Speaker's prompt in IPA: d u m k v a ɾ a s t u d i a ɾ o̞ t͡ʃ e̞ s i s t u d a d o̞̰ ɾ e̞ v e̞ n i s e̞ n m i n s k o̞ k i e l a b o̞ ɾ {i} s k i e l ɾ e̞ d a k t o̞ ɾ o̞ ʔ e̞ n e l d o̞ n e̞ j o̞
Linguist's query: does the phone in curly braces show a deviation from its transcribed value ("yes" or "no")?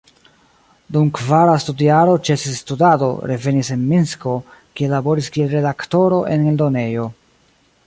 no